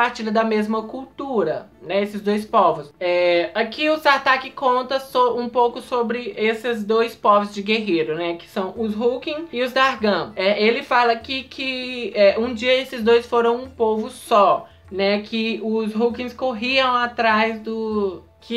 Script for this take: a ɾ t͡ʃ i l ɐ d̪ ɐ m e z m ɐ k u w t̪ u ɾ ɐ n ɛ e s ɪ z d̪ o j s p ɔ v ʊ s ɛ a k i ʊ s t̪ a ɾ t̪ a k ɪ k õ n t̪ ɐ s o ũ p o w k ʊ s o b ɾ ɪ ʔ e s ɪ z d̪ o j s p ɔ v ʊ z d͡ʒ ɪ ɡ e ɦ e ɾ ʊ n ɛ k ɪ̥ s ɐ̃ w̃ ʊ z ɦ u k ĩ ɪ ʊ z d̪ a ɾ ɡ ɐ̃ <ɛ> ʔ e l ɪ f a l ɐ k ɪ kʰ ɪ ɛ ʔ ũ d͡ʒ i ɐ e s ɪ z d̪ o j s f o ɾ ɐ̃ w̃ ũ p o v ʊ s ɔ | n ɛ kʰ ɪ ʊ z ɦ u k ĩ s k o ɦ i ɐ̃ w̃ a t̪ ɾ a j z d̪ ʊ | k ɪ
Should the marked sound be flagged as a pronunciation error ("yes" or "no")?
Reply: no